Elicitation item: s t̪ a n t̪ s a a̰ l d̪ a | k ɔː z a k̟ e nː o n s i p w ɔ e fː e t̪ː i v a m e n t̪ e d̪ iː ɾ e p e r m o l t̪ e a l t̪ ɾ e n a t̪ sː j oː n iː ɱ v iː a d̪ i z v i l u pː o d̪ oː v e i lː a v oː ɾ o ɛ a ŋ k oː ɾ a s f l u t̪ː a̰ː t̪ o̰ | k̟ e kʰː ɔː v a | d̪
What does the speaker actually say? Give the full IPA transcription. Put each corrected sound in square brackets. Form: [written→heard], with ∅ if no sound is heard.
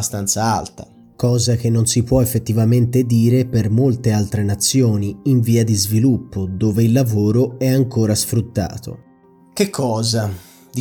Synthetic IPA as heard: s t̪ a n t̪ s a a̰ l [d̪→t̪] a | k ɔː z a k̟ e nː o n s i p w ɔ e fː e t̪ː i v a m e n t̪ e d̪ iː ɾ e p e r m o l t̪ e a l t̪ ɾ e n a t̪ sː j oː n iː ɱ v iː a d̪ i z v i l u pː o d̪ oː v e i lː a v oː ɾ o ɛ a ŋ k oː ɾ a s f [l→ɾ] u t̪ː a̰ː t̪ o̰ | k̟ e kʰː ɔː [v→z] a | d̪